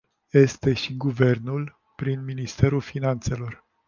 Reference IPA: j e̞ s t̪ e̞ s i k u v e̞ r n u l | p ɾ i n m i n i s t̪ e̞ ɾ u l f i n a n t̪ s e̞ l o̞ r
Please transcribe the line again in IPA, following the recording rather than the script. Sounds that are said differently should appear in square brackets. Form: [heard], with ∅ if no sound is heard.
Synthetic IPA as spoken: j e̞ s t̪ e̞ [ʃ] i [ɡ] u v e̞ r n u l | p ɾ i n m i n i s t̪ e̞ ɾ u l f i n a n t̪ s e̞ l o̞ r

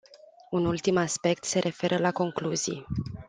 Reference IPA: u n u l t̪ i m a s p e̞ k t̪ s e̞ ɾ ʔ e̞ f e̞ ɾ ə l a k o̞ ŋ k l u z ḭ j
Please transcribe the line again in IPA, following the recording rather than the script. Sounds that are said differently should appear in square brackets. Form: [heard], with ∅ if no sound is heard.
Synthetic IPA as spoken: u n u l t̪ i m a s p e̞ k t̪ s e̞ ɾ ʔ e̞ f e̞ ɾ ə l a k o̞ ŋ k l u z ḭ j

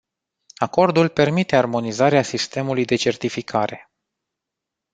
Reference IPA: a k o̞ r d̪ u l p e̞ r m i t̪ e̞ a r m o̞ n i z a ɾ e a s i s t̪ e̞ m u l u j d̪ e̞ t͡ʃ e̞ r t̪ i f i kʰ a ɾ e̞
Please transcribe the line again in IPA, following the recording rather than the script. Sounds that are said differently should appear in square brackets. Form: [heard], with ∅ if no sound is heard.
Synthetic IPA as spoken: a k o̞ r d̪ u l p e̞ r m i t̪ e̞ a r m o̞ n i z a ɾ e a s i s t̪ e̞ m u l u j d̪ e̞ t͡ʃ e̞ r t̪ i f i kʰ a ɾ e̞

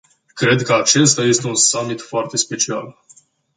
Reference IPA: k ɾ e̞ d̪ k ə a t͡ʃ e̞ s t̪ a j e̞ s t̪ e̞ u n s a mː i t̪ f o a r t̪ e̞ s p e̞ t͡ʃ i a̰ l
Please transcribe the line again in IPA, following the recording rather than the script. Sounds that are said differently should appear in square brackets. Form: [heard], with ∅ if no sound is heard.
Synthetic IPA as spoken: k ɾ e̞ d̪ k ə a t͡ʃ e̞ s t̪ a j e̞ s t̪ e̞ u n s a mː i t̪ f o a r t̪ e̞ s p e̞ t͡ʃ i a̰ l

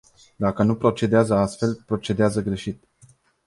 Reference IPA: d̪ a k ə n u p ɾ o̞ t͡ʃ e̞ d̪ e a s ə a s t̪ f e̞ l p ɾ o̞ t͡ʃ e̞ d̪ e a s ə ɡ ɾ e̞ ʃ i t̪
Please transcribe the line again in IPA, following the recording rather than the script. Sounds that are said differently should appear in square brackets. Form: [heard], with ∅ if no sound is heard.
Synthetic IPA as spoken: d̪ a k ə n u p ɾ o̞ t͡ʃ e̞ d̪ e a [z] ə a s t̪ f e̞ l p ɾ o̞ t͡ʃ e̞ d̪ e a [z] ə ɡ ɾ e̞ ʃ i t̪

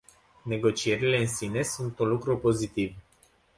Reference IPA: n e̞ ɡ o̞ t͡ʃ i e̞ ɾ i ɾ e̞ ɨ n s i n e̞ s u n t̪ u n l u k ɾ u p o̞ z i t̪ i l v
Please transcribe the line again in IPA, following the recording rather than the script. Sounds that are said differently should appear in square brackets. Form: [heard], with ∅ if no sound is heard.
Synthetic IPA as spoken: n e̞ ɡ o̞ t͡ʃ i e̞ ɾ i [l] e̞ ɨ n s i n e̞ s u n t̪ u n l u k ɾ u p o̞ z i t̪ i [∅] v

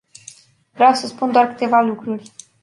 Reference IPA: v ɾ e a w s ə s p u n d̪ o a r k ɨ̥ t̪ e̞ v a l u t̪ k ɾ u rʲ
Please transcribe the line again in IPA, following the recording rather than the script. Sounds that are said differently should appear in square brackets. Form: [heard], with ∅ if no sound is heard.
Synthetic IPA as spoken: v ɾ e a w s ə s p u n d̪ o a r k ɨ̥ t̪ e̞ v a l u [∅] k ɾ u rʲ

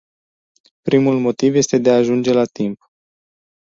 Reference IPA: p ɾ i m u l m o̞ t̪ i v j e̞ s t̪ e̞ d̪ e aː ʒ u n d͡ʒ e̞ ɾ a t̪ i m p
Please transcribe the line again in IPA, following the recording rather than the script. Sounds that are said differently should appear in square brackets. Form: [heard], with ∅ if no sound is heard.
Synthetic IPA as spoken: p ɾ i m u l m o̞ t̪ i v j e̞ s t̪ e̞ d̪ e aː ʒ u n d͡ʒ e̞ [l] a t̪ i m p

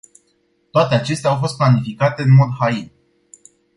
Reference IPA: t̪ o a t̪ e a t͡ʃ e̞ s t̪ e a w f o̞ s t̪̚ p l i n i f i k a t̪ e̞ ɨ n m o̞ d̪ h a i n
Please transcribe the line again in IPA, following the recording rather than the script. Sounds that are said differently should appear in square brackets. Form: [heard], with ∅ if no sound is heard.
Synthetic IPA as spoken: t̪ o a t̪ e a t͡ʃ e̞ s t̪ e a w f o̞ s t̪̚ p l [a] n i f i k a t̪ e̞ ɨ n m o̞ d̪ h a i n

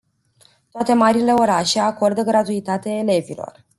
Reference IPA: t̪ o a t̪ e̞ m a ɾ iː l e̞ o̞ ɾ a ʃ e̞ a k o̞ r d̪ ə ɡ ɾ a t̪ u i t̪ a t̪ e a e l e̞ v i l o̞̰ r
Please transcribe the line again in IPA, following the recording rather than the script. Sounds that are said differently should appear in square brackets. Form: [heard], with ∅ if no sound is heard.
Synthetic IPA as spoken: t̪ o a t̪ e̞ m a ɾ [i] l e̞ o̞ ɾ a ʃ e̞ a k o̞ r d̪ ə ɡ ɾ a t̪ u i t̪ a t̪ e a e l e̞ v i l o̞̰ r

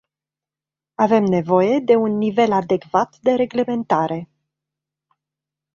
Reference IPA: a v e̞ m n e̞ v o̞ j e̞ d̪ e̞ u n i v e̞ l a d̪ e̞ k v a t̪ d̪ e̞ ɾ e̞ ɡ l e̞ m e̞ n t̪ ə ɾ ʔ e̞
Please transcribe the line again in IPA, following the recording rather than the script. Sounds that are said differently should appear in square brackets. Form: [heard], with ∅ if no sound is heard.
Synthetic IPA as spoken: a v e̞ m n e̞ v o̞ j e̞ d̪ e̞ u [nː] i v e̞ l a d̪ e̞ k v a t̪ d̪ e̞ ɾ e̞ ɡ l e̞ m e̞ n t̪ [a] ɾ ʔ e̞

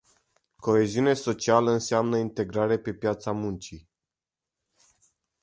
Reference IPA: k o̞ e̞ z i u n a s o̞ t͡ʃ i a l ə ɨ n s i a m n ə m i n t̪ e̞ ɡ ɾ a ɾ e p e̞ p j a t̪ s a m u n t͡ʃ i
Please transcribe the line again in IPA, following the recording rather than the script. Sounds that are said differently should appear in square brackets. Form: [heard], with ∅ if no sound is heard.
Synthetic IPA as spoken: k o̞ e̞ z i u n [e] s o̞ t͡ʃ i a l ə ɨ n s [e] a m n ə [∅] i n t̪ e̞ ɡ ɾ a ɾ e p e̞ p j a t̪ s a m u n t͡ʃ i

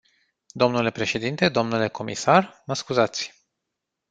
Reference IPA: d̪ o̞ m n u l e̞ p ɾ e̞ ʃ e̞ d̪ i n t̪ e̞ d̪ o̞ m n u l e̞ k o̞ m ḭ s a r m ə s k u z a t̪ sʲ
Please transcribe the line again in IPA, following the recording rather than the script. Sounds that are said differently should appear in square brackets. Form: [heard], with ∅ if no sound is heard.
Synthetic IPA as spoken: d̪ o̞ m n u l e̞ p ɾ e̞ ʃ e̞ d̪ i n t̪ e̞ d̪ o̞ m n u l e̞ k o̞ m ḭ s a r m ə s k u z a t̪ sʲ

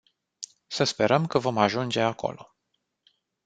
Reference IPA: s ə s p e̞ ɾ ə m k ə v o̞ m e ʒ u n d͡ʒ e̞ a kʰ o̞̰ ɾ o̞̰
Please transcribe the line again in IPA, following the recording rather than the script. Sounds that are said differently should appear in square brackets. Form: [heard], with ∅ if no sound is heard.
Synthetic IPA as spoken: s ə s p e̞ ɾ ə m k ə v o̞ m [a] ʒ u n d͡ʒ e̞ a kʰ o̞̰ [l] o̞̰

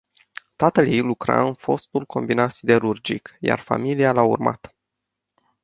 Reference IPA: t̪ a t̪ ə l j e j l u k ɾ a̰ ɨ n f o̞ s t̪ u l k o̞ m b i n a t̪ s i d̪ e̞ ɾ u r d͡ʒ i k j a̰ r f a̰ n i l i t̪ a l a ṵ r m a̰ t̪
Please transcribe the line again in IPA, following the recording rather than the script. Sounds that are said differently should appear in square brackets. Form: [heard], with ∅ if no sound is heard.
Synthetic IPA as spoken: t̪ a t̪ ə l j e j l u k ɾ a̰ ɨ n f o̞ s t̪ u l k o̞ m b i n a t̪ s i d̪ e̞ ɾ u r d͡ʒ i k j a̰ r f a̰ [m] i l i [∅] a l a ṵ r m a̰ t̪

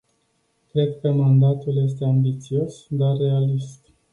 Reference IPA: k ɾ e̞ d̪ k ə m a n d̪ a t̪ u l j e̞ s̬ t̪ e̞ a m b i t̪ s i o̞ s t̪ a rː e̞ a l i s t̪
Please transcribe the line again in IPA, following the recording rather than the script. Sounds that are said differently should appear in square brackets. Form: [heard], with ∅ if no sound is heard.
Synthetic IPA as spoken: k ɾ e̞ d̪ k ə m a n d̪ a t̪ u l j e̞ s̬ t̪ e̞ a m b i t̪ s i o̞ s [d̪] a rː e̞ a l i s t̪

